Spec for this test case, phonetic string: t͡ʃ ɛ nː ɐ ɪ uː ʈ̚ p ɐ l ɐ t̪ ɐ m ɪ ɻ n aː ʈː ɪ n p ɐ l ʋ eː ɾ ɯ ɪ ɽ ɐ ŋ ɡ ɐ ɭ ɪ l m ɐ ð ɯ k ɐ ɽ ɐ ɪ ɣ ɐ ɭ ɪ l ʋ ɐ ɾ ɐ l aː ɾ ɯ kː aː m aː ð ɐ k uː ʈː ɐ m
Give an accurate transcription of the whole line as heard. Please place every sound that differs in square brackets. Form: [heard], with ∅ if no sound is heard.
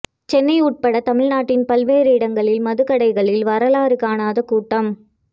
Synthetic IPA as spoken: t͡ʃ ɛ nː ɐ ɪ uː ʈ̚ p ɐ [ɽ] ɐ t̪ ɐ m ɪ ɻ n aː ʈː ɪ n p ɐ l ʋ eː ɾ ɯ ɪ ɽ ɐ ŋ ɡ ɐ ɭ ɪ l m ɐ ð ɯ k ɐ ɽ ɐ ɪ ɣ ɐ ɭ ɪ l ʋ ɐ ɾ ɐ l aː ɾ ɯ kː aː [n] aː ð ɐ k uː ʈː ɐ m